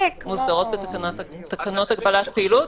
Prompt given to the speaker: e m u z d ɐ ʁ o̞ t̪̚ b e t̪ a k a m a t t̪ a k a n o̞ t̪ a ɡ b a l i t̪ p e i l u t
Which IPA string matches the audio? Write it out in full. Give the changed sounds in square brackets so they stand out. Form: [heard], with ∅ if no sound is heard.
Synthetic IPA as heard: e m u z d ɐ ʁ o̞ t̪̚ b e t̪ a k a [n] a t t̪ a k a n o̞ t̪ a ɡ b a l [a] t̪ p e i l u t